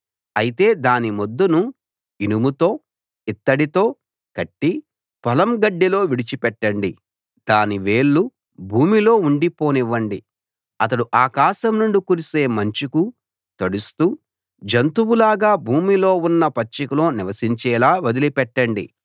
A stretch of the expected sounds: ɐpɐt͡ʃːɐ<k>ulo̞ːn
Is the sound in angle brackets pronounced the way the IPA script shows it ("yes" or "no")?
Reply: yes